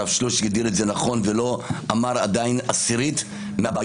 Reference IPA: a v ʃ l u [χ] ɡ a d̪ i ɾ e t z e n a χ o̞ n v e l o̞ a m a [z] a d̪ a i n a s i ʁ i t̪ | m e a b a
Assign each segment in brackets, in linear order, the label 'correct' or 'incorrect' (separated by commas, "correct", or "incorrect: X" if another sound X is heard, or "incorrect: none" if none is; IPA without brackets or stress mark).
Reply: incorrect: ʃ, incorrect: ʁ